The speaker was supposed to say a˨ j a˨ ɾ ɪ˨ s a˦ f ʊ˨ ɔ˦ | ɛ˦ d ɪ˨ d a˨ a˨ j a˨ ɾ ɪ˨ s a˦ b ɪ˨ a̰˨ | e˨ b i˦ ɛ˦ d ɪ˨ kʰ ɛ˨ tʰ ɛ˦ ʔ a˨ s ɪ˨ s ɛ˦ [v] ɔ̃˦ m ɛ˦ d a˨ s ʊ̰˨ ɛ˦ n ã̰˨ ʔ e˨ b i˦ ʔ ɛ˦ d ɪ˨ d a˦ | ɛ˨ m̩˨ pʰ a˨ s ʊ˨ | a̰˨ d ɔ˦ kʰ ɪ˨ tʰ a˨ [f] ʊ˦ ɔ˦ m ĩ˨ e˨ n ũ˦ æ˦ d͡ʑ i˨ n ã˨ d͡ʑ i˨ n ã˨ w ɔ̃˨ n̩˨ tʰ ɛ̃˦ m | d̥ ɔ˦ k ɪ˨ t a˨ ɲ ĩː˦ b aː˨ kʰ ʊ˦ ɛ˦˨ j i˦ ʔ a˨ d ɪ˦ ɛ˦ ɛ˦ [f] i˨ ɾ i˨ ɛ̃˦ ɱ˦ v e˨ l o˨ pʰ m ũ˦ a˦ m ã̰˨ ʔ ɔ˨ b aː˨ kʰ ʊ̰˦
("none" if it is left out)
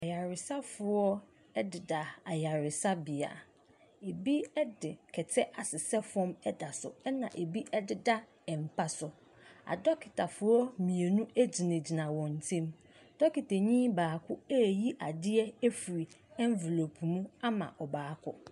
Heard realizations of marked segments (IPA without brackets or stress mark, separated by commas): f, f, f